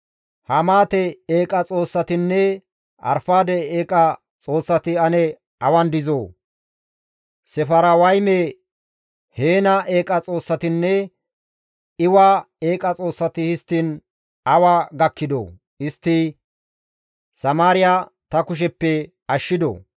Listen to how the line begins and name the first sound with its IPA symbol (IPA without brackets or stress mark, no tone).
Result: h